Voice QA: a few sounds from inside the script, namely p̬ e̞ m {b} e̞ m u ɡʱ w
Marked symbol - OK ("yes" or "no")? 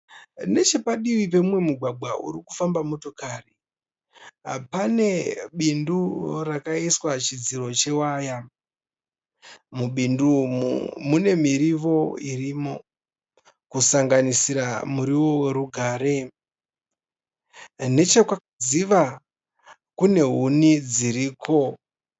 no